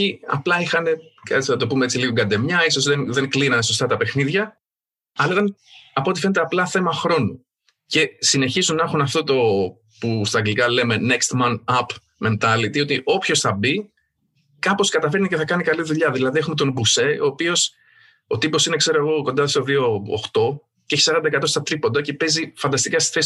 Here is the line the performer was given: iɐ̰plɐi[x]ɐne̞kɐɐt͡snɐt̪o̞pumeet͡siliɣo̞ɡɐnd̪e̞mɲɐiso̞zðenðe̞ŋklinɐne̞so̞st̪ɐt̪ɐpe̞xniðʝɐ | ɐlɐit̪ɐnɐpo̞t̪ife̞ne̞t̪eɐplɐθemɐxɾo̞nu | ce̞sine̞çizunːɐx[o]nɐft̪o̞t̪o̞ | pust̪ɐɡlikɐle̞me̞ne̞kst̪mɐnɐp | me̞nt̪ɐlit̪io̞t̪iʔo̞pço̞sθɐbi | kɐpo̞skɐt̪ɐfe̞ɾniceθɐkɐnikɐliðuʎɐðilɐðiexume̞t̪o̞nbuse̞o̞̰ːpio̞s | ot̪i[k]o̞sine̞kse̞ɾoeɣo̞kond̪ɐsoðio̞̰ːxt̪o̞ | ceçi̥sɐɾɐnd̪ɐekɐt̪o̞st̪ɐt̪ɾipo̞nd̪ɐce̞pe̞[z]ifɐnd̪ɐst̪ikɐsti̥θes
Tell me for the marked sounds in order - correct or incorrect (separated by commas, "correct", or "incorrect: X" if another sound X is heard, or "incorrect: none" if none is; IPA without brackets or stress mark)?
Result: correct, incorrect: u, incorrect: p, correct